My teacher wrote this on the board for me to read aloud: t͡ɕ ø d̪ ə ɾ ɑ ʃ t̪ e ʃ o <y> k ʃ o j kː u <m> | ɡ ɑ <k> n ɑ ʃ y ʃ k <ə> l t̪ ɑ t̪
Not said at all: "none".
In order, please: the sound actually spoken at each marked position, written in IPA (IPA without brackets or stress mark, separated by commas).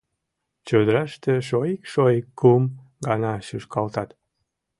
i, m, none, ɑ